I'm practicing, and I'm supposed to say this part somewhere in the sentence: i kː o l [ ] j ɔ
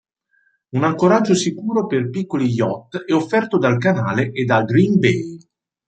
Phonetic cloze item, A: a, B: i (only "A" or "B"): B